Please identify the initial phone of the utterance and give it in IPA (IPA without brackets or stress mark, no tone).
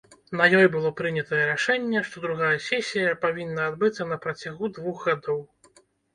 n